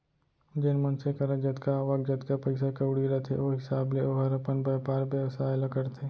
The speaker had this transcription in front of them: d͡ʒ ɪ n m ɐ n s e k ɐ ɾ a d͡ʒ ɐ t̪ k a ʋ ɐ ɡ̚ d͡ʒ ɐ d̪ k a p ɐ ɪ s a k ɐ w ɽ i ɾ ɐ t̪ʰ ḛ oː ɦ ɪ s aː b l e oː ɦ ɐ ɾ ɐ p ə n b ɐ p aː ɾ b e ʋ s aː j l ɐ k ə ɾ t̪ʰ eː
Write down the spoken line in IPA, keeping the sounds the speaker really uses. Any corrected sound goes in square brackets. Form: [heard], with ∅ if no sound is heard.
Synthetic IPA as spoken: d͡ʒ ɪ n m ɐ n s e k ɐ ɾ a d͡ʒ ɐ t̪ k a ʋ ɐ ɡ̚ d͡ʒ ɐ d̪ k a p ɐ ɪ s a k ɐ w ɽ i ɾ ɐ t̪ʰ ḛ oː ɦ ɪ s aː b l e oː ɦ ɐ ɾ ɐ p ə n b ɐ p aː ɾ b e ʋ s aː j l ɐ k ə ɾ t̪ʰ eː